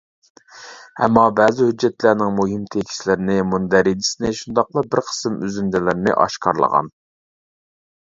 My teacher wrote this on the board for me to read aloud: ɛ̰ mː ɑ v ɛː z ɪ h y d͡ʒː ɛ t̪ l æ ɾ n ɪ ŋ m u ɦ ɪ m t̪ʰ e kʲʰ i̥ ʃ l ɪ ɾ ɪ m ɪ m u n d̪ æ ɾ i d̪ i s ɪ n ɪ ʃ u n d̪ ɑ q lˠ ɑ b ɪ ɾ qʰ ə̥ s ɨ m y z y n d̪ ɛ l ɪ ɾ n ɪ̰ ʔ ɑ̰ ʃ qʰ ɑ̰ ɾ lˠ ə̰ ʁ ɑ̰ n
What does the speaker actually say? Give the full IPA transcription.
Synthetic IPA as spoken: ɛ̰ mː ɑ b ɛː z ɪ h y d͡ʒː ɛ t̪ l æ ɾ n ɪ ŋ m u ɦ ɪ m t̪ʰ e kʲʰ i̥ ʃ l ɪ ɾ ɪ n ɪ m u n d̪ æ ɾ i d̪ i s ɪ n ɪ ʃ u n d̪ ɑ q lˠ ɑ b ɪ ɾ qʰ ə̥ s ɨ m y z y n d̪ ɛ l ɪ ɾ n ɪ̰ ʔ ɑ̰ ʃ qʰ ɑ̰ ɾ lˠ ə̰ ʁ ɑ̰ n